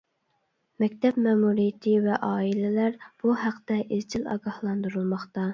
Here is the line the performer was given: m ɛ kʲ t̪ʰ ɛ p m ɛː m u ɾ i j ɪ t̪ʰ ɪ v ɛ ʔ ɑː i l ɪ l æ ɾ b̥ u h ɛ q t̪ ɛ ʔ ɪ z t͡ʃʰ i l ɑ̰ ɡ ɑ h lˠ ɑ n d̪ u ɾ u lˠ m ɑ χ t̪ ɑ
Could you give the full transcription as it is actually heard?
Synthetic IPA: m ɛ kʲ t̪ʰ ɛ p m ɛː m u ɾ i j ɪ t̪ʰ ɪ v ɛ ʔ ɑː i l ɪ l æ ɾ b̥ u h æ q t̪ ɛ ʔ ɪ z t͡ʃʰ i l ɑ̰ ɡ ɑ h lˠ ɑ n d̪ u ɾ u lˠ m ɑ χ t̪ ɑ